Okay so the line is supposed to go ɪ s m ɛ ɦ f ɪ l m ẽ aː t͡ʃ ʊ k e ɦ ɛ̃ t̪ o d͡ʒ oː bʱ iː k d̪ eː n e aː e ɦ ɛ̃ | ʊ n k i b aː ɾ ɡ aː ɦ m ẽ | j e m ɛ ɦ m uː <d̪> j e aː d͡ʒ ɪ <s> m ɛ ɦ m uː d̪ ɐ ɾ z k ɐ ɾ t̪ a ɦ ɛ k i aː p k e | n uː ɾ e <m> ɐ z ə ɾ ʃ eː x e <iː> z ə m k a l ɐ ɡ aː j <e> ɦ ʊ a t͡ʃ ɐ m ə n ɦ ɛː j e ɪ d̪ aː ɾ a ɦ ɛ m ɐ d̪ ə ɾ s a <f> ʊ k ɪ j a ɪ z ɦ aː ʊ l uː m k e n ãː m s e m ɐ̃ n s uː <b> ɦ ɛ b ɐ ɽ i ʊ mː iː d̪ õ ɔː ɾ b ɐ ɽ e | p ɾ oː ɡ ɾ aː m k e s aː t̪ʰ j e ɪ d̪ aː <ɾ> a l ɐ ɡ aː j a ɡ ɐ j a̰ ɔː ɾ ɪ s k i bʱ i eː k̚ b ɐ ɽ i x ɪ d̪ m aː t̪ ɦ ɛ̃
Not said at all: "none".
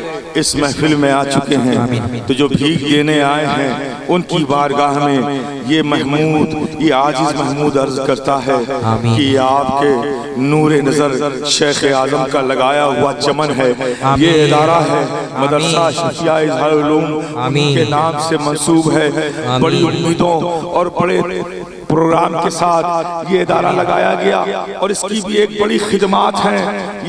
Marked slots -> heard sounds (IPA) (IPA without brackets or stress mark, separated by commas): d̪, z, n, aː, a, ʃ, b, ɾ